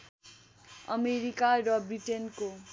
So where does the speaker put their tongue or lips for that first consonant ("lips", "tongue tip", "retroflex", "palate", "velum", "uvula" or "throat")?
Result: lips